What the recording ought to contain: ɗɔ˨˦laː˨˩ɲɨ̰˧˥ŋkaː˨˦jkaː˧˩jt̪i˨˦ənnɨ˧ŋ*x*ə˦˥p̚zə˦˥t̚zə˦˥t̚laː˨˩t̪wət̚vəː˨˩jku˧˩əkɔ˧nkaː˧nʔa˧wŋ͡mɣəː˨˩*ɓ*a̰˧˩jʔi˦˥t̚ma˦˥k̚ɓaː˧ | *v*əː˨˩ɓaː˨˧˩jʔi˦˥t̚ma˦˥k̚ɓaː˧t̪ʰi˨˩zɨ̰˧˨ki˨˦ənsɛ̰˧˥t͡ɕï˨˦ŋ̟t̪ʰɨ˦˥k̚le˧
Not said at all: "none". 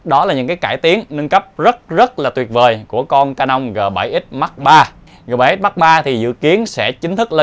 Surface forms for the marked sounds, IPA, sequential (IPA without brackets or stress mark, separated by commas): k, ɓ, ɣ